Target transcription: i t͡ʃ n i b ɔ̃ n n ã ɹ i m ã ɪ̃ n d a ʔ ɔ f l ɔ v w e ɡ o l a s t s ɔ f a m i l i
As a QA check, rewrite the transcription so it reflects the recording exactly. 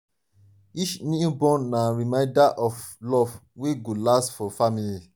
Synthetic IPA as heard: i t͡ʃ n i b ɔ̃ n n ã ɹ i m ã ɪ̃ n d a ʔ ɔ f l ɔ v w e ɡ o l a s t f ɔ f a m i l i